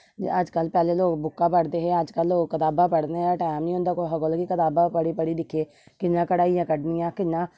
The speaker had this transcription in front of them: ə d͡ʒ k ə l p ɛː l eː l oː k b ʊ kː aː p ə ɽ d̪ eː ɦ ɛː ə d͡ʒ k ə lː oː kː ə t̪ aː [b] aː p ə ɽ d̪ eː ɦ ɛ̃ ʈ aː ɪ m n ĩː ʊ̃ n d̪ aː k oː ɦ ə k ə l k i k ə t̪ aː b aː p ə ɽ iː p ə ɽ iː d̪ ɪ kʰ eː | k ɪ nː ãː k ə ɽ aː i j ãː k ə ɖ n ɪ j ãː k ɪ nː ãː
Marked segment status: correct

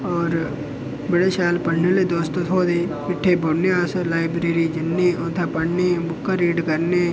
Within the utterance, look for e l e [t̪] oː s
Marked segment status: incorrect: d̪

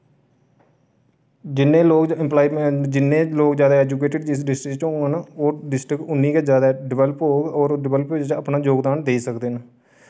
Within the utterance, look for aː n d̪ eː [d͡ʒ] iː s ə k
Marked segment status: incorrect: none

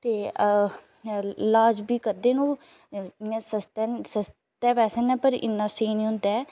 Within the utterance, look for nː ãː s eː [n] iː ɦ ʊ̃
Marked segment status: correct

